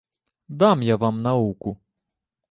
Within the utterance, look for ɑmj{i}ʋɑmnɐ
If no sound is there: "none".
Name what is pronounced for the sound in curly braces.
a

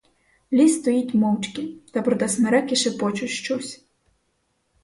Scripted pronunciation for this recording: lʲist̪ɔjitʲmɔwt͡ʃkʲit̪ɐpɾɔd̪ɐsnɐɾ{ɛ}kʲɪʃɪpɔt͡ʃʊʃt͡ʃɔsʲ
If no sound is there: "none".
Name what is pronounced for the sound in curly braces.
ɛ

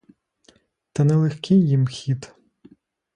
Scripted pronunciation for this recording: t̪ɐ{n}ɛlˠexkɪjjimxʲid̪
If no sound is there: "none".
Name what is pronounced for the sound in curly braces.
n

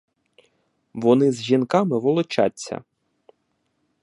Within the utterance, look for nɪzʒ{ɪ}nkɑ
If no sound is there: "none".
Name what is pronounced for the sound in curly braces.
i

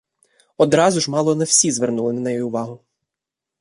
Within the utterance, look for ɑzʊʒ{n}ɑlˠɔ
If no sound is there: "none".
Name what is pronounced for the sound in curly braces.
m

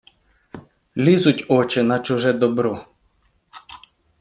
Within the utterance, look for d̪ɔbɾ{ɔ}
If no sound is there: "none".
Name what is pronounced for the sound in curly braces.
ɔ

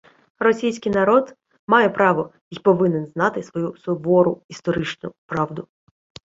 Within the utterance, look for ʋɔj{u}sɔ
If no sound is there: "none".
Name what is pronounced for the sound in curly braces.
u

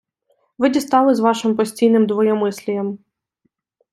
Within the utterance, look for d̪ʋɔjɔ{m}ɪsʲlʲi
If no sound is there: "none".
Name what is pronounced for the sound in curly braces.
m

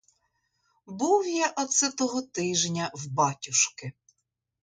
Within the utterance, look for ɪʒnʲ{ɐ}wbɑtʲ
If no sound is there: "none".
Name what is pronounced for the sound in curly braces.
ɐ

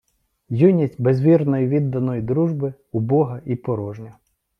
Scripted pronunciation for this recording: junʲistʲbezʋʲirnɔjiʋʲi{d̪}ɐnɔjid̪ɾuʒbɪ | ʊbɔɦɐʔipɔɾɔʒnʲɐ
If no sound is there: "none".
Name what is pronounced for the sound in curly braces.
d̪ː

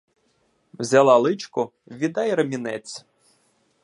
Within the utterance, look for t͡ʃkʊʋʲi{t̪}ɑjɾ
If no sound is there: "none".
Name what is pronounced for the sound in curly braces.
d̪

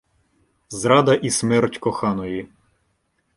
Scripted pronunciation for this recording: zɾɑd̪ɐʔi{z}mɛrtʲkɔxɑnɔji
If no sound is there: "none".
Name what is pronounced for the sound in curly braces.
s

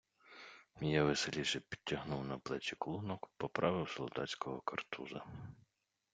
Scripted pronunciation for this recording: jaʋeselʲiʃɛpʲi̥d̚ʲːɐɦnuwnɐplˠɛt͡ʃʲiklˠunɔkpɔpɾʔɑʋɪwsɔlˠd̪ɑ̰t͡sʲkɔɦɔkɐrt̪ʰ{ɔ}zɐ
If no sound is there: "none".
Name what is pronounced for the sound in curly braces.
u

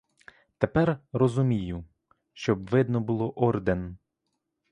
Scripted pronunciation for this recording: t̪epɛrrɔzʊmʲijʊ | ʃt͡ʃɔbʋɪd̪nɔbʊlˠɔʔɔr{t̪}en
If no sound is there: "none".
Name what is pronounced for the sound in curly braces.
d̪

